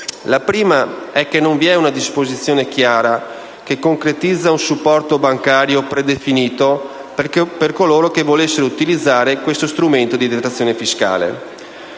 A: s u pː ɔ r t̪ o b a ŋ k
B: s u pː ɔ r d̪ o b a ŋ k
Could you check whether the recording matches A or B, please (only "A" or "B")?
A